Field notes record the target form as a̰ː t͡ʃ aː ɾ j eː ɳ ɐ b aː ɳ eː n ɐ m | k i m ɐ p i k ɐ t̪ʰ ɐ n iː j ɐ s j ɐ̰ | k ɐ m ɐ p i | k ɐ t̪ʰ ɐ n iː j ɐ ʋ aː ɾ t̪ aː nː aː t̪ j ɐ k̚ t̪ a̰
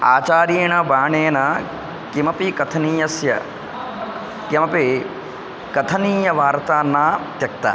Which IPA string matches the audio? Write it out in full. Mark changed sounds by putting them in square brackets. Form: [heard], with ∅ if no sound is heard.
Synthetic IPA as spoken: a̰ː t͡ʃ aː ɾ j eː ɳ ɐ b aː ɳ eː n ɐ [∅] | k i m ɐ p i k ɐ t̪ʰ ɐ n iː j ɐ s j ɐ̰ | k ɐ m ɐ p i | k ɐ t̪ʰ ɐ n iː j ɐ ʋ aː ɾ t̪ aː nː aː t̪ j ɐ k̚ t̪ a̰